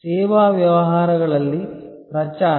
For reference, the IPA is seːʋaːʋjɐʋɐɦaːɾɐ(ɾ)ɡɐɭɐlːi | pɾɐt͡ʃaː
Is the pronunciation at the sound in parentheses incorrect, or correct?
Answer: incorrect